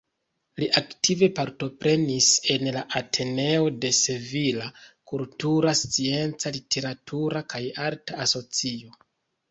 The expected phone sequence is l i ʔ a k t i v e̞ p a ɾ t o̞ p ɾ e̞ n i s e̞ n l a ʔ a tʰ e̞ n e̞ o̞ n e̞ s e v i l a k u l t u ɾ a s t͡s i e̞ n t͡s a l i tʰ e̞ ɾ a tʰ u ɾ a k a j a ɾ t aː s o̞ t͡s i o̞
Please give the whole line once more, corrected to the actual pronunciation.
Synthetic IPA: l i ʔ a k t i v e̞ p a ɾ t o̞ p ɾ e̞ n i s e̞ n l a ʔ a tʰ e̞ n e̞ o̞ d e̞ s e v i l a k u l t u ɾ a s t͡s i e̞ n t͡s a l i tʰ e̞ ɾ a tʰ u ɾ a k a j a ɾ t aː s o̞ t͡s i o̞